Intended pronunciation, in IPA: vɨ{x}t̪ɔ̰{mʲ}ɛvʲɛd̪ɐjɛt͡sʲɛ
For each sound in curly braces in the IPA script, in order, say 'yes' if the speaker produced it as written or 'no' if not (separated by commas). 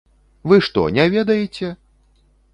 no, no